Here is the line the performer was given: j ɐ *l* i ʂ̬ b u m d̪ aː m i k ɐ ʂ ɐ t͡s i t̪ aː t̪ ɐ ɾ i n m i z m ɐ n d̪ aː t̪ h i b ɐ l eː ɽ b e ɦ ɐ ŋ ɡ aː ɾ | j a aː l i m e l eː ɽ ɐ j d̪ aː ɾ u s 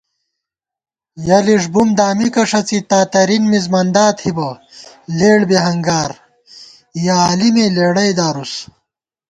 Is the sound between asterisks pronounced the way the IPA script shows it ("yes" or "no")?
yes